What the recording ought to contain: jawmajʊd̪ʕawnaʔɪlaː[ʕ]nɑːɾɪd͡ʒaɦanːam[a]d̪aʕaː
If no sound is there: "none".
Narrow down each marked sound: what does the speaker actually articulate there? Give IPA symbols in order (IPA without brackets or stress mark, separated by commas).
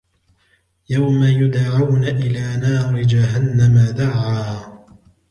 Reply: none, a